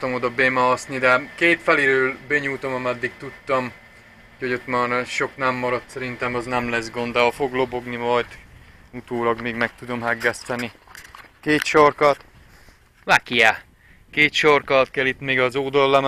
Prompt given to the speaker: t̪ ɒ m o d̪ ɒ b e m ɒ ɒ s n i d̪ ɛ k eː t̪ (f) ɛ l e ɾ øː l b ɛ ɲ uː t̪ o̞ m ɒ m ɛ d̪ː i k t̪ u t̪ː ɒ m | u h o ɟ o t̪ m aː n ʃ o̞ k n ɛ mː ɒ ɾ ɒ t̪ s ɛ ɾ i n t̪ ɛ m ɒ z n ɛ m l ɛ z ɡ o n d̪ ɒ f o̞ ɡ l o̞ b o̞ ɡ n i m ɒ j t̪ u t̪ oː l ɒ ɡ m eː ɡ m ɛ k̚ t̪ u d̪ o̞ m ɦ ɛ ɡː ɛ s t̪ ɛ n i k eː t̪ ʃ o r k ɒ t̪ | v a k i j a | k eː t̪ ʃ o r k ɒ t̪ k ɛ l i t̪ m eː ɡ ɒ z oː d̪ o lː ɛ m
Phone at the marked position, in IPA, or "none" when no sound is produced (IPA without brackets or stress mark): f